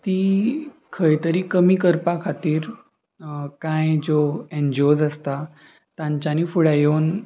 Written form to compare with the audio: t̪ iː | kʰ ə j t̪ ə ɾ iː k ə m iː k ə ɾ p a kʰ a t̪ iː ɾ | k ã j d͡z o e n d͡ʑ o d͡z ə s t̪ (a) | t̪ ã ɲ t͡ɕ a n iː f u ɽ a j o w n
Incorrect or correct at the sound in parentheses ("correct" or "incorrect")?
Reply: correct